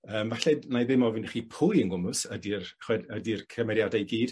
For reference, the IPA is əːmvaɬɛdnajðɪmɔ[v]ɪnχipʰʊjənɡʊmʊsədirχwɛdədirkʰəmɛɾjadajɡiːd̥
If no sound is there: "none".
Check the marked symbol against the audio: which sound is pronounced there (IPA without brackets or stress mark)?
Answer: v